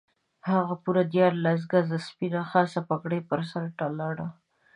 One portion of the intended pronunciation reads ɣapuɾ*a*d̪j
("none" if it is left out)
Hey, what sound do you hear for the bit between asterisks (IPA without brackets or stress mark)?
a